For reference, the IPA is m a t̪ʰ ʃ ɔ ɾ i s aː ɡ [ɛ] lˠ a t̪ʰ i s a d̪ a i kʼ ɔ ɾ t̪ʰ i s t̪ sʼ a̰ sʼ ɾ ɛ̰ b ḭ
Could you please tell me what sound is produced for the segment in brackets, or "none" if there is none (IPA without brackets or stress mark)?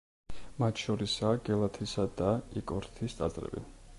ɛ